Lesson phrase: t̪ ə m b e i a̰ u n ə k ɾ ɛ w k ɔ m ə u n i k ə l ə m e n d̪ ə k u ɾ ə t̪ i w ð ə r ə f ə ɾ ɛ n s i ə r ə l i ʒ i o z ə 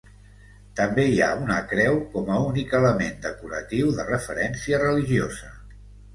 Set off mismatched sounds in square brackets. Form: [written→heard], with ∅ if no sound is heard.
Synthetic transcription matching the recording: t̪ ə m b e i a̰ u n ə k ɾ ɛ w k ɔ m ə u n i k ə l ə m e n d̪ ə k u ɾ ə t̪ i w ð ə r ə f ə ɾ ɛ n s i ə r ə l i ʒ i o z ə